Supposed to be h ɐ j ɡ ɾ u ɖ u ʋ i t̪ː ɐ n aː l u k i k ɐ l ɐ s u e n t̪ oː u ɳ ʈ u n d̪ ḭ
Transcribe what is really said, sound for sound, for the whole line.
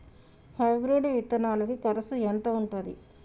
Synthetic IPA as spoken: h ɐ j ɡ ɾ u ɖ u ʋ i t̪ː ɐ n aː l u k i k ɐ ɾ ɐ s u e n t̪ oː u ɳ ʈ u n d̪ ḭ